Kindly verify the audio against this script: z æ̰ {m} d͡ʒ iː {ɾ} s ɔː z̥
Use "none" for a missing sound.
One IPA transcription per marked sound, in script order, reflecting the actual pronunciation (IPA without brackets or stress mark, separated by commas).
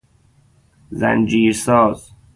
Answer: n, ɾ